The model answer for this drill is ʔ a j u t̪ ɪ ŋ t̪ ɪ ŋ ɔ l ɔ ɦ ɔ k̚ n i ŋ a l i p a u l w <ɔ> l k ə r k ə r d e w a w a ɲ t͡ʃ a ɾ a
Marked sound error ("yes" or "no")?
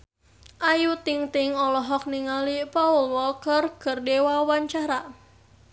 no